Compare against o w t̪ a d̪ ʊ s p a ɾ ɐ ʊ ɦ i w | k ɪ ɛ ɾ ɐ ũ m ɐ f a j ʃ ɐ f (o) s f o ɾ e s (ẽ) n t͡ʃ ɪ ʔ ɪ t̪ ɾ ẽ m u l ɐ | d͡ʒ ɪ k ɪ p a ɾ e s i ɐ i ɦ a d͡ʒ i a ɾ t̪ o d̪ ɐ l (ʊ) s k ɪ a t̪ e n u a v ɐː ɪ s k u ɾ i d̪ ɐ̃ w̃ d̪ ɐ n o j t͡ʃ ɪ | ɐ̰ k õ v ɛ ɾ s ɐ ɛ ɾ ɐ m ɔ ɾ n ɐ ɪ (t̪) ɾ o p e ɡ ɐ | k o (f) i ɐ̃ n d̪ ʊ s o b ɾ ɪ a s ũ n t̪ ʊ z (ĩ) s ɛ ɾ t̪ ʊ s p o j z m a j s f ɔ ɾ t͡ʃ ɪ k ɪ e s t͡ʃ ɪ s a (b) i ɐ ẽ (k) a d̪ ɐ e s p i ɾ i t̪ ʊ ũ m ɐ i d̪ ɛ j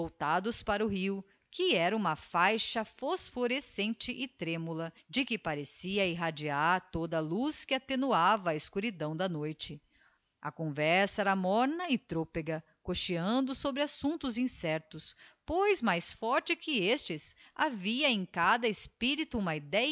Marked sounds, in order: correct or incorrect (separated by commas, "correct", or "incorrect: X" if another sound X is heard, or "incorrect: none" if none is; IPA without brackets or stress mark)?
correct, correct, incorrect: u, correct, incorrect: ʃ, correct, incorrect: v, correct